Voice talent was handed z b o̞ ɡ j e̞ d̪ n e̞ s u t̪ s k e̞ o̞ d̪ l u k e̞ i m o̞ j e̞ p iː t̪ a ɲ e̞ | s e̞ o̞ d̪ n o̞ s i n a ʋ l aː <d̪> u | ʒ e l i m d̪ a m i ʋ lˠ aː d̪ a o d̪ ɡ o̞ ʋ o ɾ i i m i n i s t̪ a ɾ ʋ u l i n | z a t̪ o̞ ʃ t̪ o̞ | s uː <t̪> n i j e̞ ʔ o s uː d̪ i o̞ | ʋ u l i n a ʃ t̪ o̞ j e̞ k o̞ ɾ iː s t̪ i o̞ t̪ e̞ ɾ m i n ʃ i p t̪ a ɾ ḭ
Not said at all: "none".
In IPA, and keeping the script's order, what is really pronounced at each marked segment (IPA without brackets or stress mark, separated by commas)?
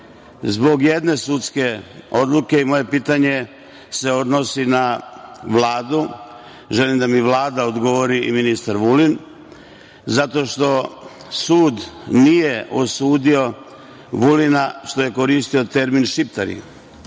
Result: d̪, d̪